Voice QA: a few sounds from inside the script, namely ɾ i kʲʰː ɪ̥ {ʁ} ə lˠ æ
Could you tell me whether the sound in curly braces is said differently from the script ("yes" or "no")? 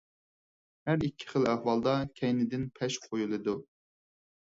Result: yes